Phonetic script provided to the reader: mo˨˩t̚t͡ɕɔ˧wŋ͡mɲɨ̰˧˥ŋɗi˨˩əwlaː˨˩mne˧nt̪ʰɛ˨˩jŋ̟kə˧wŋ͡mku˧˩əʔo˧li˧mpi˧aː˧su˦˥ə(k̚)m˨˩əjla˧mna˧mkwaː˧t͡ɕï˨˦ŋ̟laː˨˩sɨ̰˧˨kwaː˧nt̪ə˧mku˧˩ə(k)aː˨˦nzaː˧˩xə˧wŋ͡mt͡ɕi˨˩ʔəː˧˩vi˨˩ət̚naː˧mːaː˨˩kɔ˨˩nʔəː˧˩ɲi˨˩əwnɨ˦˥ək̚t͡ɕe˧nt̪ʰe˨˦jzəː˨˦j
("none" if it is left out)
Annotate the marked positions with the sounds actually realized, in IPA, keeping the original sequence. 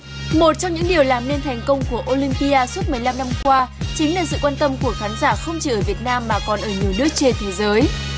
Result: t̚, x

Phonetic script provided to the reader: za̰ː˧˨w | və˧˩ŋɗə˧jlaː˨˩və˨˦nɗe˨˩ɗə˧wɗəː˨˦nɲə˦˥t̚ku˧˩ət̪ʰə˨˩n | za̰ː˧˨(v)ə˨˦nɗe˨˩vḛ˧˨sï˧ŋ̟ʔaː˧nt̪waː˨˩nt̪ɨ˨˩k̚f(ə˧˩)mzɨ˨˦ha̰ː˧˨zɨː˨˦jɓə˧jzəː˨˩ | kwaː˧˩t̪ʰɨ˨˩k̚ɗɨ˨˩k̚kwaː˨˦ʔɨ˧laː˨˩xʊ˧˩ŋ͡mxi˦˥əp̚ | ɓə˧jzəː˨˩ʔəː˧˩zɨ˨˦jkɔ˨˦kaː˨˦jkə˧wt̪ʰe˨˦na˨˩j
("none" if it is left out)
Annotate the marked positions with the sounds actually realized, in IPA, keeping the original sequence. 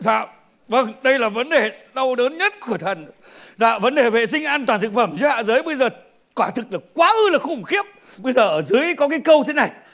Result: v, ə˧˩

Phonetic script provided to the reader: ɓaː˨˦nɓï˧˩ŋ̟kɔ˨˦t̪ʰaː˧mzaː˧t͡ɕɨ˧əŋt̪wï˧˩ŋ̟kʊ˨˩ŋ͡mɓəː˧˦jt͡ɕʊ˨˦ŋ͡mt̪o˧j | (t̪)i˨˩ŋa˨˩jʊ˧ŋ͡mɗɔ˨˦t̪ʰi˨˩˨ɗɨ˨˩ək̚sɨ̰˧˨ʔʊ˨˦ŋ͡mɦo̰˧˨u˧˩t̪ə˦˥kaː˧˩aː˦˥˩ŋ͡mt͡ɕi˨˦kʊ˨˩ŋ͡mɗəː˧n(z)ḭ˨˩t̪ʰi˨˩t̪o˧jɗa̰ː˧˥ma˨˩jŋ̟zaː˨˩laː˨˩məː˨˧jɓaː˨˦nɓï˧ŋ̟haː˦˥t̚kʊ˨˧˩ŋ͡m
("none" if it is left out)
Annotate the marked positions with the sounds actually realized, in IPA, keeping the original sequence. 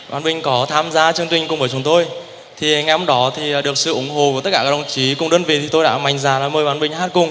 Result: t̪ʰ, v

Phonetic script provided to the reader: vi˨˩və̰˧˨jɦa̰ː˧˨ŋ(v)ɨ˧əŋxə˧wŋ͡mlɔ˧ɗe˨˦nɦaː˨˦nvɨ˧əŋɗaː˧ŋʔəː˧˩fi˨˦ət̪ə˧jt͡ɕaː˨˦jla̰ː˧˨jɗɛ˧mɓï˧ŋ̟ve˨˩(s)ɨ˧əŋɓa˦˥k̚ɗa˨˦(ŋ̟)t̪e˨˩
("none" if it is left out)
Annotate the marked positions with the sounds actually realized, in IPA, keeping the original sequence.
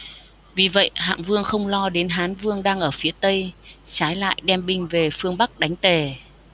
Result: v, f, ŋ̟

